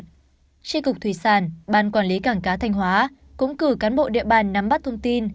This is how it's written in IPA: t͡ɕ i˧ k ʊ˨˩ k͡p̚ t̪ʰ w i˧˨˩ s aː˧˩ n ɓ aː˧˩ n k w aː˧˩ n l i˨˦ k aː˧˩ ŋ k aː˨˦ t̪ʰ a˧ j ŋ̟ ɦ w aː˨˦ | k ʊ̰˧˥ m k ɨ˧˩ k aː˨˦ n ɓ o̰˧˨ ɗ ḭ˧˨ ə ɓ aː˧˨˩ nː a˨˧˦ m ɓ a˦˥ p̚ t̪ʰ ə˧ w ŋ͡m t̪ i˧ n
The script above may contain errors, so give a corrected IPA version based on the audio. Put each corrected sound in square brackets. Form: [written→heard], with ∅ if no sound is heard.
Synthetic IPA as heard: t͡ɕ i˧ k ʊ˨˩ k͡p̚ t̪ʰ w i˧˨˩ s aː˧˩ n ɓ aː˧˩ n k w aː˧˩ n l i˨˦ k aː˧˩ ŋ k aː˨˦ t̪ʰ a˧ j ŋ̟ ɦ w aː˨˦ | k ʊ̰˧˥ [m→ŋ͡m] k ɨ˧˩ k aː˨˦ n ɓ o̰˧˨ ɗ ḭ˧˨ ə ɓ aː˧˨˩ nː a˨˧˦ m ɓ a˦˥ [p̚→t̚] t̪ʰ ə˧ w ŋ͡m t̪ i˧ n